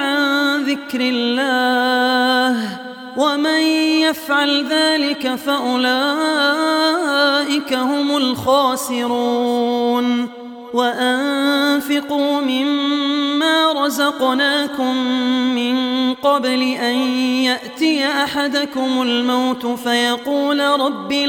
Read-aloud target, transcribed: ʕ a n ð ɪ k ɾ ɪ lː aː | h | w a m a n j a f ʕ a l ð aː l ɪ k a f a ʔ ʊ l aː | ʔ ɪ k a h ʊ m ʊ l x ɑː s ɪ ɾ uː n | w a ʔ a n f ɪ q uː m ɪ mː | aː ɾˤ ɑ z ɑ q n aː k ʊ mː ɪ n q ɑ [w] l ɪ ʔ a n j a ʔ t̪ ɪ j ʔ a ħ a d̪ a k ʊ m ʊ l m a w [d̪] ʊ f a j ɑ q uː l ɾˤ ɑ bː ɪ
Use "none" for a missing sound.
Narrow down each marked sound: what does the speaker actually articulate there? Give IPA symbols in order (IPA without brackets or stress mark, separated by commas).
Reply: b, t̪